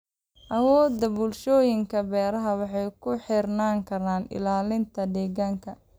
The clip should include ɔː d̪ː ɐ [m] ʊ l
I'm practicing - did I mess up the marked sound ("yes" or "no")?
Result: yes